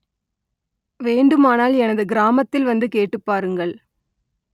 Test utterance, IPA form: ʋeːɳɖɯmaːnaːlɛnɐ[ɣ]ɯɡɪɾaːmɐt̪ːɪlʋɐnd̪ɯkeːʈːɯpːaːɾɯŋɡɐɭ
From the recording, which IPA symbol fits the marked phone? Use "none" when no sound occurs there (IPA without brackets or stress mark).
ð